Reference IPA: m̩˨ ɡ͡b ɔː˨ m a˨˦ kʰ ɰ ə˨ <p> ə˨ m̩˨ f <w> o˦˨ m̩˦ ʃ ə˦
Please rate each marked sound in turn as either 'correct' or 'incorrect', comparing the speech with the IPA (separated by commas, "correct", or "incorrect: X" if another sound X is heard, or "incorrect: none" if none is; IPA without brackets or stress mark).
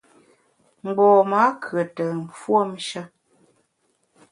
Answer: incorrect: t, correct